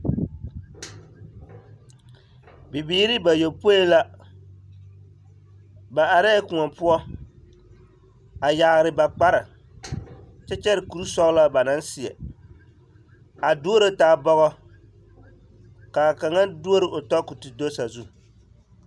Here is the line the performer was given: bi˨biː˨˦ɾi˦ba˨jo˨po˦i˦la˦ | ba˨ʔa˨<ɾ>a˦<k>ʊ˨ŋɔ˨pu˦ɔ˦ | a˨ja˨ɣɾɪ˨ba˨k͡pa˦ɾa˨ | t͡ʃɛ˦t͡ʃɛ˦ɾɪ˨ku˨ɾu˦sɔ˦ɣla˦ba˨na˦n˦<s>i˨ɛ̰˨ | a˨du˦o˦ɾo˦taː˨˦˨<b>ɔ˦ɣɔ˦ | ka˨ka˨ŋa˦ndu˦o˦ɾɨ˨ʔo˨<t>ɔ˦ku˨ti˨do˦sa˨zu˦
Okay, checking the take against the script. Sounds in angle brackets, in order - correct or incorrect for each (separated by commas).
correct, correct, correct, correct, correct